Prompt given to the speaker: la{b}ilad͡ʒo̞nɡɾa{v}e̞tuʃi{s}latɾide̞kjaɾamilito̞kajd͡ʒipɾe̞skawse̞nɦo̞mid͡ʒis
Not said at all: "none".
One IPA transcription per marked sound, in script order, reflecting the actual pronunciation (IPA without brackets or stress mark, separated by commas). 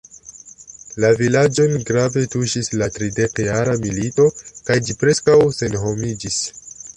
v, v, s